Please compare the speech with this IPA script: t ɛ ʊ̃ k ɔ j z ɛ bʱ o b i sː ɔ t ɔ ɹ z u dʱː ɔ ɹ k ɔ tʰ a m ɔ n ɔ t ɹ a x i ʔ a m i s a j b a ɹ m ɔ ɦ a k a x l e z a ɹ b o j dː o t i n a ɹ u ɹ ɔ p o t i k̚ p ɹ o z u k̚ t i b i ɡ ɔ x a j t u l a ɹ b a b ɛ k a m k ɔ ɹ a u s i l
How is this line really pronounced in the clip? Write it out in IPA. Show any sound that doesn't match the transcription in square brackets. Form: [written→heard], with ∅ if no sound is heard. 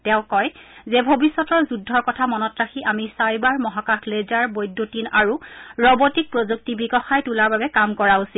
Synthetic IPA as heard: t ɛ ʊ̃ k ɔ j z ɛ bʱ o b i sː ɔ t ɔ ɹ z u dʱː ɔ ɹ k ɔ tʰ a m ɔ n ɔ t ɹ a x i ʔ a m i s a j b a ɹ m ɔ ɦ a k a x l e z a ɹ b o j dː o t i n a ɹ u ɹ ɔ [p→b] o t i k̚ p ɹ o z u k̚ t i b i ɡ ɔ x a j t u l a ɹ b a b ɛ k a m k ɔ ɹ a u s i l